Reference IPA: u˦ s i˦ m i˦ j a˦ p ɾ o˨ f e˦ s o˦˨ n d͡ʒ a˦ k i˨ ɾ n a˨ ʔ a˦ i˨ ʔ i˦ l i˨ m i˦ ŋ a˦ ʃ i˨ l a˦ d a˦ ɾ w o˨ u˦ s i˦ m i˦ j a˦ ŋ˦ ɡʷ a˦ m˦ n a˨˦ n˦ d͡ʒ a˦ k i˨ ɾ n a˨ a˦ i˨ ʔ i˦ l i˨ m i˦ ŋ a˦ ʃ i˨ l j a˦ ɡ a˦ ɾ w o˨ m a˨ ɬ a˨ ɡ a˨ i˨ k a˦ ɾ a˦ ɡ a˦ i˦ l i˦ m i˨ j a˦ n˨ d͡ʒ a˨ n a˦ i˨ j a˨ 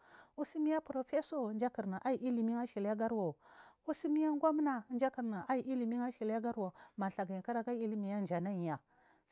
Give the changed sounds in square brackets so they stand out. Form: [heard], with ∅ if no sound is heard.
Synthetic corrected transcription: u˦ s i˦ m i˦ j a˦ p ɾ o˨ f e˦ s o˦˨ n d͡ʒ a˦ k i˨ ɾ n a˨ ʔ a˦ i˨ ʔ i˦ l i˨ m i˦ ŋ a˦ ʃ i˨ l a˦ [ɡ] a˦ ɾ w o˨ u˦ s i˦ m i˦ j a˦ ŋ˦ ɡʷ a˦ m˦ n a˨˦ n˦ d͡ʒ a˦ k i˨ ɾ n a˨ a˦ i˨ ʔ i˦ l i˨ m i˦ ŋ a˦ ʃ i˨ l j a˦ ɡ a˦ ɾ w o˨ m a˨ ɬ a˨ ɡ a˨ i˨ k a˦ ɾ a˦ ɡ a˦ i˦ l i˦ m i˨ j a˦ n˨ d͡ʒ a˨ n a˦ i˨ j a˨